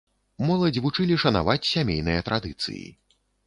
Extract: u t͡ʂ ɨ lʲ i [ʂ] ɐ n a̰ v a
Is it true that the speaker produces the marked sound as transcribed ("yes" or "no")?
yes